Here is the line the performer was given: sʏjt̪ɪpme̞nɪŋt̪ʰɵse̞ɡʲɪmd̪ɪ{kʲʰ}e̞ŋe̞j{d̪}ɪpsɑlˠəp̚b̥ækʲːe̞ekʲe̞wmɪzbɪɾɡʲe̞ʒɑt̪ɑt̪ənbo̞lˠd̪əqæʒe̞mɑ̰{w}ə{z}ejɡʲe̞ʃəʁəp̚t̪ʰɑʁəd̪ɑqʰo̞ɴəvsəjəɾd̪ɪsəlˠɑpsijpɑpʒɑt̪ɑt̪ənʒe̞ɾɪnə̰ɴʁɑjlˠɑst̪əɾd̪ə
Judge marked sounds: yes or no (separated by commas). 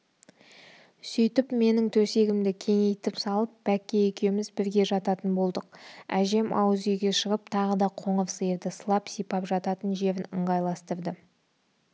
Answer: yes, no, yes, yes